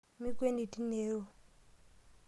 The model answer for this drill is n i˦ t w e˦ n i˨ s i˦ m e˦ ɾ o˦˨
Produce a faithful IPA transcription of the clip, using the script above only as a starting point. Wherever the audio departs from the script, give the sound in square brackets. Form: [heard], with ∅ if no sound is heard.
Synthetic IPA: [m] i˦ [k] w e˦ n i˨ [t] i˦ [n] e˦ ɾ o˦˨